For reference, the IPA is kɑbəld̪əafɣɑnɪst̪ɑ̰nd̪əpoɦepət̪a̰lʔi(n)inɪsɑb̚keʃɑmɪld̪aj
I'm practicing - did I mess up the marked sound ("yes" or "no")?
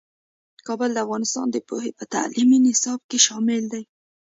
yes